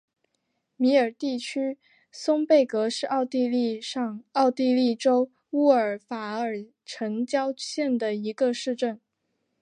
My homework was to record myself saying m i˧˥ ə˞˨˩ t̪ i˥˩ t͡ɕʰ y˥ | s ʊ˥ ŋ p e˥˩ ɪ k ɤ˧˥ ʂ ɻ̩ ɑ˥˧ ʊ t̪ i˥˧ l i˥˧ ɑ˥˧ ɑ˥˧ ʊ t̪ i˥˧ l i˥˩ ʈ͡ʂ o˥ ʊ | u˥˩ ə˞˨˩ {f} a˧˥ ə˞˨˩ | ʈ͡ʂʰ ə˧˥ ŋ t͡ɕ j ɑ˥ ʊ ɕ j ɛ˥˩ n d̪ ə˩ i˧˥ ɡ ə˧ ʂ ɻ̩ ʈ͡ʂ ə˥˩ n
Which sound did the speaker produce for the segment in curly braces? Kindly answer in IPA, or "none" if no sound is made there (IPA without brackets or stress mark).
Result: f